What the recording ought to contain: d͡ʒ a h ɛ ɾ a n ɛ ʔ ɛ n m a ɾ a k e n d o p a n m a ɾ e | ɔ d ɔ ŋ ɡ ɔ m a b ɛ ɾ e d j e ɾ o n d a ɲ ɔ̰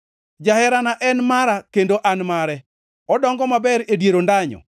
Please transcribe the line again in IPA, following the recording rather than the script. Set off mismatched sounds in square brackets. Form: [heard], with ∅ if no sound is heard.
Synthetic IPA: d͡ʒ a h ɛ ɾ a n [a] ʔ ɛ n m a ɾ a k e n d o [ʔ] a n m a ɾ [ɛ] | ɔ d ɔ ŋ ɡ ɔ m a b ɛ ɾ e d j e ɾ o n d a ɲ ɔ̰